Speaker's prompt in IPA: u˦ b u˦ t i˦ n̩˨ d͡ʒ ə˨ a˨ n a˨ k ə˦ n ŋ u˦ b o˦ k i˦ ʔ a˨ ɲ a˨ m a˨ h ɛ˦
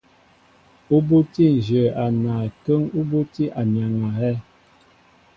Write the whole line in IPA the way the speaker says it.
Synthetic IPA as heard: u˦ b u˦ t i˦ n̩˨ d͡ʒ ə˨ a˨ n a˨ k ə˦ ŋ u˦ b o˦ t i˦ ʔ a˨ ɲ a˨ ŋ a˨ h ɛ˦